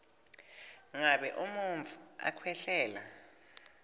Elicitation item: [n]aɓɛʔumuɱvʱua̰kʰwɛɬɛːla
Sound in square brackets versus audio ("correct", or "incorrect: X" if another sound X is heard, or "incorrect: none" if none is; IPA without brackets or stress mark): incorrect: ŋ